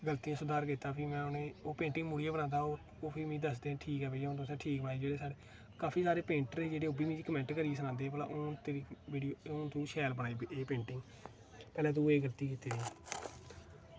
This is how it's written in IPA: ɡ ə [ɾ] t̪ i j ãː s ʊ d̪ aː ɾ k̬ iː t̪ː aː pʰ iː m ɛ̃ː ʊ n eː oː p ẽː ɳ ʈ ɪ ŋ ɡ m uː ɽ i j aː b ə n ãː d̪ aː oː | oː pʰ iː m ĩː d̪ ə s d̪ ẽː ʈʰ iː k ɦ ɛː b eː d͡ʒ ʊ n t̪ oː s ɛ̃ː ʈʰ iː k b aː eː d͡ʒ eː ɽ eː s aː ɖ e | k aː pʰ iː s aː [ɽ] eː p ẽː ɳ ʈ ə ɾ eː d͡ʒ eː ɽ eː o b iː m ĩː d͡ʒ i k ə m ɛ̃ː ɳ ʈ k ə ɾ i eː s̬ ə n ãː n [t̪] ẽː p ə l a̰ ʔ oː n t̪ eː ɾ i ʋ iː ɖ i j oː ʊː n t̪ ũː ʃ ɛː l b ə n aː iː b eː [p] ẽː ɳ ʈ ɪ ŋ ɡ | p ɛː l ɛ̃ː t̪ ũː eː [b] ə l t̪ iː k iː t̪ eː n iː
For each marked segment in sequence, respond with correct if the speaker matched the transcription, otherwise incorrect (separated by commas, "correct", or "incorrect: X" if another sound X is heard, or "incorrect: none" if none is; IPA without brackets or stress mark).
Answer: incorrect: l, incorrect: ɾ, incorrect: d̪, correct, incorrect: ɡ